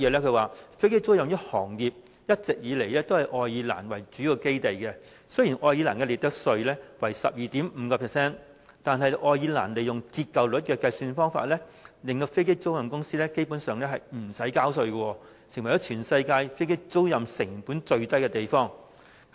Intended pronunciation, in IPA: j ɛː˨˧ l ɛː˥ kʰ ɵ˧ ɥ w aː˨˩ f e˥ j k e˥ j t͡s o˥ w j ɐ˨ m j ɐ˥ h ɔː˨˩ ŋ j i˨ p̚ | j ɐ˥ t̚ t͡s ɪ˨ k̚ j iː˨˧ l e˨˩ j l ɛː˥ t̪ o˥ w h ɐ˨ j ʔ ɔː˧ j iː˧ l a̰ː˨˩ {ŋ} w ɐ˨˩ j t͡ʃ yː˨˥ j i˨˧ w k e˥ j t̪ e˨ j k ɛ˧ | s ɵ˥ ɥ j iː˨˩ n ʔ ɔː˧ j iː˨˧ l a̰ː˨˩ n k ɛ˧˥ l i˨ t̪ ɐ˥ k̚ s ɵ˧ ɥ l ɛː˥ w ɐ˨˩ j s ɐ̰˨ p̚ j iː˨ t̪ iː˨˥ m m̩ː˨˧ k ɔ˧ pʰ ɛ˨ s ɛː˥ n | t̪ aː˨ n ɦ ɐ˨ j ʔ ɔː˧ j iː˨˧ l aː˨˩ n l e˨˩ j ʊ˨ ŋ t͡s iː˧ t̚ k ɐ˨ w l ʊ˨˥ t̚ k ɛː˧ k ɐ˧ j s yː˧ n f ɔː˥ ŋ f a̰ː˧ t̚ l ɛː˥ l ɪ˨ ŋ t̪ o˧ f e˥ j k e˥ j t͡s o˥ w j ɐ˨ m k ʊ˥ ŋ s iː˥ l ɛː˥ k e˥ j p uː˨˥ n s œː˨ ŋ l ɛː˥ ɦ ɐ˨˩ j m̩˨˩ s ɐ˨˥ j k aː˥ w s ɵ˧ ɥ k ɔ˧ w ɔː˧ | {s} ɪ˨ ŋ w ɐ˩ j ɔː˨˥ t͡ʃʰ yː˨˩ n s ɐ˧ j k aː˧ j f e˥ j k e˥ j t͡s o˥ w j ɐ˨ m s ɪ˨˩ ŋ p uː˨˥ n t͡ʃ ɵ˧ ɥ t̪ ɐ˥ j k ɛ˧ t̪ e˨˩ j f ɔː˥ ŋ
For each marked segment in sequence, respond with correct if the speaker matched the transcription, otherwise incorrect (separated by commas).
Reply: incorrect, correct